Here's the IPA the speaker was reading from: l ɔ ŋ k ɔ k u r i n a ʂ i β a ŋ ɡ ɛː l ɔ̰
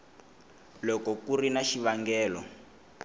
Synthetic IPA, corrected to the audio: l ɔ k ɔ k u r i n a ʃ i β a ŋ ɡ ɛː l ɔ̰